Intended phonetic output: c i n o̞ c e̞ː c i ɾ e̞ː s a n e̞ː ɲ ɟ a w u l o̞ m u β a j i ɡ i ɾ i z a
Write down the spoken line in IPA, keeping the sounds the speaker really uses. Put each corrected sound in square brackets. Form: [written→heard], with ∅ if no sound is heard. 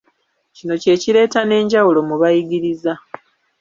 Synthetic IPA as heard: c i n o̞ c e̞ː c i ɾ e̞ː [s→t] a n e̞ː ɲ ɟ a w u l o̞ m u β a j i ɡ i ɾ i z a